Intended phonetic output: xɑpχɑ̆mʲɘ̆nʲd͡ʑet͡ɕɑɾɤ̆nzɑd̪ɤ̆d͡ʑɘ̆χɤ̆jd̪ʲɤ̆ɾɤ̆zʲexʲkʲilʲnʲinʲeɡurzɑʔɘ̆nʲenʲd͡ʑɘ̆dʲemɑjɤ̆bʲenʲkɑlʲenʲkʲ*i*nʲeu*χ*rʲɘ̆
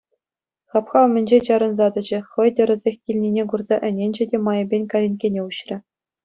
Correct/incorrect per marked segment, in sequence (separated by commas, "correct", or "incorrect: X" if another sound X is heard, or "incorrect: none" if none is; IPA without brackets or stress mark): incorrect: e, incorrect: ɕ